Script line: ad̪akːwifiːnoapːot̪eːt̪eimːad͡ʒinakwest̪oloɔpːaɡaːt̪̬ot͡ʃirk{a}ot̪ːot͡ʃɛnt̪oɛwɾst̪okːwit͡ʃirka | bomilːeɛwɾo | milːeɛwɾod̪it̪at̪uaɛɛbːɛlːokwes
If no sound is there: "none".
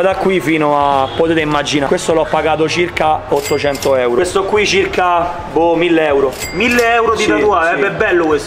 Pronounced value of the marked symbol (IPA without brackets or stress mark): a